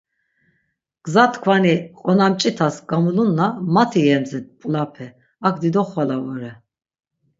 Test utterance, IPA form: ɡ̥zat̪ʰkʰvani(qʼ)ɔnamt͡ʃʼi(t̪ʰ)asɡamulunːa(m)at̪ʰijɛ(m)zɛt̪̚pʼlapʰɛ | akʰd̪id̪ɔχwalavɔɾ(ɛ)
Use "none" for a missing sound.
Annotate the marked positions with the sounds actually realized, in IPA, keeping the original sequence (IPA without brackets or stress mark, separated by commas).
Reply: qʼ, t̪ʰ, m, m, ɛ